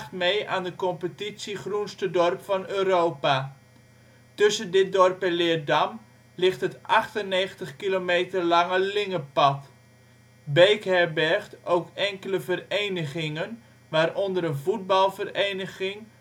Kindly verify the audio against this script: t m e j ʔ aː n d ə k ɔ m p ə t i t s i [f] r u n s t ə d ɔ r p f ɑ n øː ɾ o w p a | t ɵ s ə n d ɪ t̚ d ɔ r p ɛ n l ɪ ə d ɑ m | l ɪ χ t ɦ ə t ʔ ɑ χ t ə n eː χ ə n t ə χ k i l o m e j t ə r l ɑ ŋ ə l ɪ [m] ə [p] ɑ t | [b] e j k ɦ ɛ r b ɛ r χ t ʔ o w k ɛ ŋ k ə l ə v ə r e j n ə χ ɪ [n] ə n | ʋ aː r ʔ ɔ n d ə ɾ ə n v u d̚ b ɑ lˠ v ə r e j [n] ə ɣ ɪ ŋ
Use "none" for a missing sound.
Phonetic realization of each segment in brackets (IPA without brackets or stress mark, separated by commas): χ, ŋ, p, b, ŋ, n